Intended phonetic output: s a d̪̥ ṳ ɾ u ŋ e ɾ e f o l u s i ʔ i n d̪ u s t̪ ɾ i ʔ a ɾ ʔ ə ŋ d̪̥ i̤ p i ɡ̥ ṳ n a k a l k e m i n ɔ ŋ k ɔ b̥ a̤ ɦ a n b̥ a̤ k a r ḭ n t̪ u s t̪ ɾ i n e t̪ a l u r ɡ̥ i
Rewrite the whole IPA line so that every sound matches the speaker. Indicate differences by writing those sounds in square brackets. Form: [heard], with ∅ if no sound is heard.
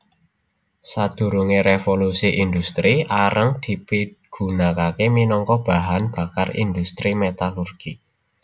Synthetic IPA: s a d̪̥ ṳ ɾ u ŋ e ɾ e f o l u s i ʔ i n d̪ u s t̪ ɾ i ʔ a ɾ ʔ ə ŋ d̪̥ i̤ p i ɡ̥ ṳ n a k a [∅] k e m i n ɔ ŋ k ɔ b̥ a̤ ɦ a n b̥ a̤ k a r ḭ n [d̪] u s t̪ ɾ i [m] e t̪ a l u r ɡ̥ i